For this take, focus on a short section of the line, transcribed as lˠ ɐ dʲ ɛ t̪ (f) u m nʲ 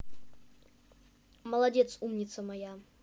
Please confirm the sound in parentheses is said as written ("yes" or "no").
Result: no